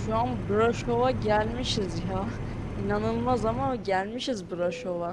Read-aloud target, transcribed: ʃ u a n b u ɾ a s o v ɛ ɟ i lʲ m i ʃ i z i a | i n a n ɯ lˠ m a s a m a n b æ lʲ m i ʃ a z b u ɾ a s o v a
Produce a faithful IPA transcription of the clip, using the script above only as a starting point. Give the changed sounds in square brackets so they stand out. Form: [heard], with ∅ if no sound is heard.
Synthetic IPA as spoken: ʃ u a n b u ɾ a [ʃ] o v [a] ɟ [æ] lʲ m i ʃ i z [j] a | i n a n ɯ lˠ m a [z] a m a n [ɟ] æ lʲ m i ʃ [i] z b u ɾ a [ʃ] o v a